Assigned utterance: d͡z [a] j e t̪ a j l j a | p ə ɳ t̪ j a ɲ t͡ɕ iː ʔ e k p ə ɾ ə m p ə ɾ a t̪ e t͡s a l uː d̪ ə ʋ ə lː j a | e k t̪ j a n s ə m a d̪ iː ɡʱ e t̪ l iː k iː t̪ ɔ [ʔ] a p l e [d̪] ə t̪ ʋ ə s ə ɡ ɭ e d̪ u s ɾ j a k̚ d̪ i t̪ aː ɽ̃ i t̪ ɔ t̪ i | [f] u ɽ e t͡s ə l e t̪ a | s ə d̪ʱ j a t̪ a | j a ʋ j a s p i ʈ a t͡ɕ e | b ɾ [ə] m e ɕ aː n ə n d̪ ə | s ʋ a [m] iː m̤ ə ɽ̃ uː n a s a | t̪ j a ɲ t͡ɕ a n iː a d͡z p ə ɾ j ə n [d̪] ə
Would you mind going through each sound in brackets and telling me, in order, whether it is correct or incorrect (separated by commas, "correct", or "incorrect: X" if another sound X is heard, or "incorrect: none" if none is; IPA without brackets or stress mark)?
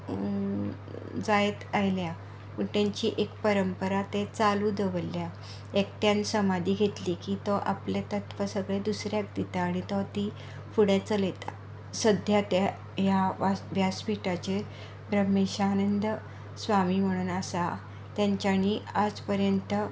correct, correct, incorrect: t̪, correct, correct, correct, incorrect: t̪